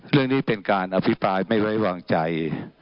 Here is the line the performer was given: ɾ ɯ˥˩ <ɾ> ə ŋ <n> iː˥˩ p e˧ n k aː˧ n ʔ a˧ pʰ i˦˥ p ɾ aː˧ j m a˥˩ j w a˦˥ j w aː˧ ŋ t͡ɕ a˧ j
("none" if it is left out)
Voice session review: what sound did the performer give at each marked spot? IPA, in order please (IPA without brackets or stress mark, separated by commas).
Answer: none, n